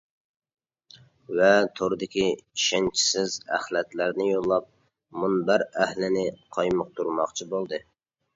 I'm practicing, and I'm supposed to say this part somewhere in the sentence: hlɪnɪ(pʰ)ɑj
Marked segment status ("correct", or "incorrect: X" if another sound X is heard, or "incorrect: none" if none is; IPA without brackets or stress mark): incorrect: qʰ